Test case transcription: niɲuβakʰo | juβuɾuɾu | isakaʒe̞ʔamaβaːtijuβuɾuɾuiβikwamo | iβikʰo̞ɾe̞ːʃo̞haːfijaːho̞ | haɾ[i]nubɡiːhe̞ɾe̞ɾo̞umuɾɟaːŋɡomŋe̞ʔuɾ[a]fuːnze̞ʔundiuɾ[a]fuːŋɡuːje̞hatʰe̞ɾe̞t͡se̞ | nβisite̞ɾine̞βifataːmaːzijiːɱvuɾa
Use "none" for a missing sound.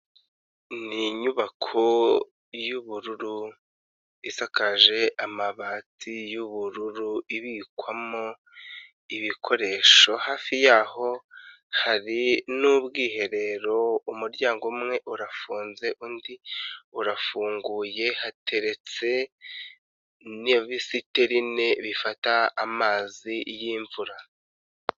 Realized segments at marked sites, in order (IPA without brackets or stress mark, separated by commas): i, a, a